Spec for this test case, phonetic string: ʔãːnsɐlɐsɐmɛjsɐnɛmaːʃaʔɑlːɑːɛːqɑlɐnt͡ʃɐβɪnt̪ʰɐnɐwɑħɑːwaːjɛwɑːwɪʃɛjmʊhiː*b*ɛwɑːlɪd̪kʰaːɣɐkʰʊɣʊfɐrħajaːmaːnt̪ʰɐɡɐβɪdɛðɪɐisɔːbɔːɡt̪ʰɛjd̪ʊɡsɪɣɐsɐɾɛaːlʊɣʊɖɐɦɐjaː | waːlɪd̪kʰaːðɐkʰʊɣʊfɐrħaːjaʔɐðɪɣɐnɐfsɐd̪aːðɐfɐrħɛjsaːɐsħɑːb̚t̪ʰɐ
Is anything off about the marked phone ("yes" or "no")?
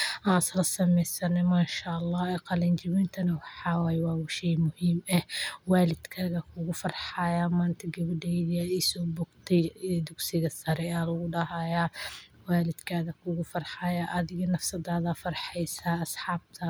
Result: yes